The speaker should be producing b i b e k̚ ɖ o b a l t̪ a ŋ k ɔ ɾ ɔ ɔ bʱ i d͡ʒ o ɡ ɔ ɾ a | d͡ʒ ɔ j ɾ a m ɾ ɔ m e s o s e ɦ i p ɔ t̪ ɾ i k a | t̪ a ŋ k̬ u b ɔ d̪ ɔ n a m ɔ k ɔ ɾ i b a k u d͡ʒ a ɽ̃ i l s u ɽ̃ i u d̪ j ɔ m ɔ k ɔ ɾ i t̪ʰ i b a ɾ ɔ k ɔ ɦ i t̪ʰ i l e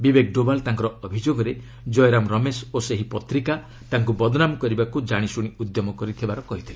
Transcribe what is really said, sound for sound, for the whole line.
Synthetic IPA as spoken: b i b e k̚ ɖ o b a l t̪ a ŋ k ɔ ɾ ɔ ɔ bʱ i d͡ʒ o ɡ ɔ ɾ e | d͡ʒ ɔ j ɾ a m ɾ ɔ m e s o s e ɦ i p ɔ t̪ ɾ i k a | t̪ a ŋ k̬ u b ɔ d̪ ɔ n a m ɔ k ɔ ɾ i b a k u d͡ʒ a ɽ̃ i s u ɽ̃ i u d̪ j ɔ m ɔ k ɔ ɾ i t̪ʰ i b a ɾ ɔ k ɔ ɦ i t̪ʰ i l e